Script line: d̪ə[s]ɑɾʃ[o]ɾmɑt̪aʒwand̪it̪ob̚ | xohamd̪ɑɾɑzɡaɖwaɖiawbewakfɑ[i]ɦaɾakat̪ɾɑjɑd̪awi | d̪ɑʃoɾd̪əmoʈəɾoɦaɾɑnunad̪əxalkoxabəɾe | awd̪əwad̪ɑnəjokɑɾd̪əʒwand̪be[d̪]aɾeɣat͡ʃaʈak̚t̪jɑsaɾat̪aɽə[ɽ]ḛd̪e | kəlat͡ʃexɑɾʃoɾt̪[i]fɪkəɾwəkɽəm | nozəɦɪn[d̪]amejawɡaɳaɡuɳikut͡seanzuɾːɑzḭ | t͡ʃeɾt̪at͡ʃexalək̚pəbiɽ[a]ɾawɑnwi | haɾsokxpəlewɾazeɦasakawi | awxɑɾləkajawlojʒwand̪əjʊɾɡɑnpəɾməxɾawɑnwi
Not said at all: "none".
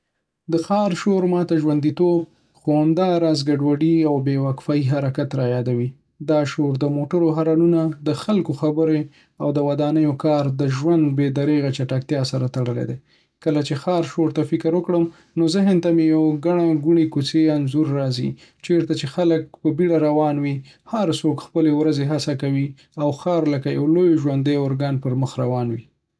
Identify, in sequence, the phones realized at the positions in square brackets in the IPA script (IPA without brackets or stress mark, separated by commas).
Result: x, o, i, d̪, l, a, t̪, a